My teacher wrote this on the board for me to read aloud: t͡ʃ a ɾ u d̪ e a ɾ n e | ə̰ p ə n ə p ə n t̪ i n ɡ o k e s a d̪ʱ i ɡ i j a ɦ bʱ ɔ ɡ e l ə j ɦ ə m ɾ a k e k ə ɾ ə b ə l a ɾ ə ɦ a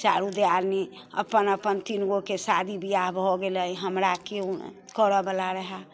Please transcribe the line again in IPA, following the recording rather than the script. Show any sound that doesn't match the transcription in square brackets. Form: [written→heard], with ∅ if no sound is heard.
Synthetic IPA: t͡ʃ a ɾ u d̪ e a ɾ n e | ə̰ p ə n ə p ə n t̪ i n ɡ o k e s a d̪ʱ i [ɡ→b] i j a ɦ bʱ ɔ ɡ e l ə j ɦ ə m ɾ a k e k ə ɾ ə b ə l a ɾ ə ɦ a